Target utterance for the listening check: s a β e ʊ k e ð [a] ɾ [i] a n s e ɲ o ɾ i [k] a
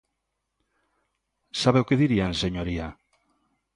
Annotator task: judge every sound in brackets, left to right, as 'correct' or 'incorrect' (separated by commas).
incorrect, correct, incorrect